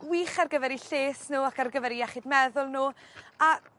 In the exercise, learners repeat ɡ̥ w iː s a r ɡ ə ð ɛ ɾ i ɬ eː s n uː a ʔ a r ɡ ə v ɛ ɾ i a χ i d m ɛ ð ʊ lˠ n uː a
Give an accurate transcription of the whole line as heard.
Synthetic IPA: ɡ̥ w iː χ a r ɡ ə v ɛ ɾ i ɬ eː s n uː a k a r ɡ ə v ɛ ɾ i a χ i d m ɛ ð ʊ lˠ n uː a